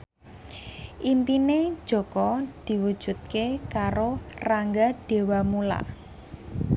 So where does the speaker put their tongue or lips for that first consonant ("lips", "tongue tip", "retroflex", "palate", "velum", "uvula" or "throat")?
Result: throat